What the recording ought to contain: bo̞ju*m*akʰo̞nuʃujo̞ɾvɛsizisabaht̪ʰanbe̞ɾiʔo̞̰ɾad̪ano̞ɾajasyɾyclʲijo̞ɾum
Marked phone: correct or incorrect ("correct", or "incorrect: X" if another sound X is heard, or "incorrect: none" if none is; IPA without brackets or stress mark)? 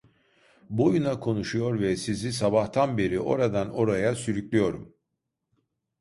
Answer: incorrect: n